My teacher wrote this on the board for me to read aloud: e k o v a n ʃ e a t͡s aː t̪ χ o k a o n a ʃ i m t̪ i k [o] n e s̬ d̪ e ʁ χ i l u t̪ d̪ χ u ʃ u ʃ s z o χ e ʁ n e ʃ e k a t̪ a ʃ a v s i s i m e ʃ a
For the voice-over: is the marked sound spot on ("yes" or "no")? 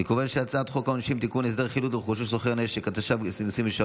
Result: no